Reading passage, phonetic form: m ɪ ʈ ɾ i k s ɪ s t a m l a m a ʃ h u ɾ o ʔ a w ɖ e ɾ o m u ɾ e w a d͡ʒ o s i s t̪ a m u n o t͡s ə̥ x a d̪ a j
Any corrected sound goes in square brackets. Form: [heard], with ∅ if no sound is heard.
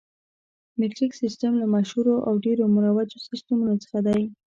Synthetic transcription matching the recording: m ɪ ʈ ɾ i k s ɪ s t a m l a m a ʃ h u ɾ o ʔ a w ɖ e ɾ o m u ɾ [a] w a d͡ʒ o s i s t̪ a m u n o t͡s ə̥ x a d̪ a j